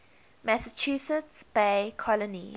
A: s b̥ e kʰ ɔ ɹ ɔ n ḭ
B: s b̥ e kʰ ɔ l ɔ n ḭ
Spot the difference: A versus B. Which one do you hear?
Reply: B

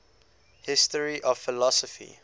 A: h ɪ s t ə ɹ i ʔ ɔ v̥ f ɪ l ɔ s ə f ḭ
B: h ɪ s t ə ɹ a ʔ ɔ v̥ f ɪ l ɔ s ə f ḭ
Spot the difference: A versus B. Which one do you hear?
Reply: A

